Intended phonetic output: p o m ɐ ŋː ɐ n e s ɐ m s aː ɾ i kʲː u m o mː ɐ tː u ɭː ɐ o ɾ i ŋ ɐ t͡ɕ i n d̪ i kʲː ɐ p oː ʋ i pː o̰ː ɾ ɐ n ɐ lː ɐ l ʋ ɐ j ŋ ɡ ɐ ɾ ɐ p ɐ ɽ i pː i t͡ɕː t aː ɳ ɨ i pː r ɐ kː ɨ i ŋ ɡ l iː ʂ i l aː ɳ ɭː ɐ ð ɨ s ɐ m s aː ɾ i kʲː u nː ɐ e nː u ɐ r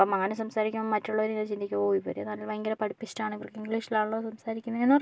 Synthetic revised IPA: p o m ɐ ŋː ɐ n e s ɐ m s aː ɾ i kʲː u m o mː ɐ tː u ɭː ɐ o ɾ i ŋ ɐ t͡ɕ i n d̪ i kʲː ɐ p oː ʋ i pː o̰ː ɾ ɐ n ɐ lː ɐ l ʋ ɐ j ŋ ɡ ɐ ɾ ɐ p ɐ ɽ i pː i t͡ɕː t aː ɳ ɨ i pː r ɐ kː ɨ i ŋ ɡ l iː ʂ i l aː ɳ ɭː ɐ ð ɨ s ɐ m s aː ɾ i kʲː u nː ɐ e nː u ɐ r